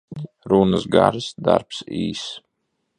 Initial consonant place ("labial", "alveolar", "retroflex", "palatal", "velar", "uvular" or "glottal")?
alveolar